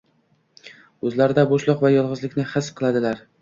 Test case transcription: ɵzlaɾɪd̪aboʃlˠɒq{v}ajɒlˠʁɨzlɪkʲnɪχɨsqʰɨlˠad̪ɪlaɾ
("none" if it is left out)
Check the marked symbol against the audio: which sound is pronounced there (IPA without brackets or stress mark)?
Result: v